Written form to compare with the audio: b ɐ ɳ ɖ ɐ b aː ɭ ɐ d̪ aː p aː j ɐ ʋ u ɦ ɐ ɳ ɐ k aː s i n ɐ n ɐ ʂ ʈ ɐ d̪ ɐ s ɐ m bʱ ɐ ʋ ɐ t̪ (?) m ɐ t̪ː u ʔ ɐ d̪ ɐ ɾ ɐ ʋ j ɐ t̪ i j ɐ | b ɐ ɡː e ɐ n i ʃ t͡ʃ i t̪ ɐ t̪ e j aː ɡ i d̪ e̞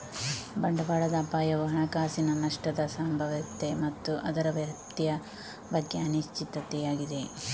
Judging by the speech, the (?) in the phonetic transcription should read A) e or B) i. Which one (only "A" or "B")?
A